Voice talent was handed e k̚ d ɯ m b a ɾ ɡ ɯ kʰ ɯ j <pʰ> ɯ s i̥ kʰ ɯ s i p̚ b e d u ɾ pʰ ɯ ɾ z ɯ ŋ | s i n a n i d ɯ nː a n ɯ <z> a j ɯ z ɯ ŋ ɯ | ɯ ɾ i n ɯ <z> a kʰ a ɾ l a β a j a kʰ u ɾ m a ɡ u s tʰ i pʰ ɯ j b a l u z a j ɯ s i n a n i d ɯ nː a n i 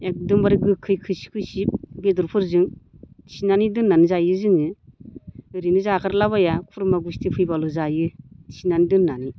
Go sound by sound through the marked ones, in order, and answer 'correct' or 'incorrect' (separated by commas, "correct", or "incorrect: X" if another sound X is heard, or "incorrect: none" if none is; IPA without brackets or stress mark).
incorrect: kʰ, correct, correct